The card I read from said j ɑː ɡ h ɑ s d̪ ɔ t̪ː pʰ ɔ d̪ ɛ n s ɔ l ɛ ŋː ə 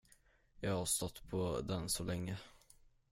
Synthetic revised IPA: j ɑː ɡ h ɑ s t̪ ɔ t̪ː pʰ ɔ d̪ ɛ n s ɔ l ɛ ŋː ə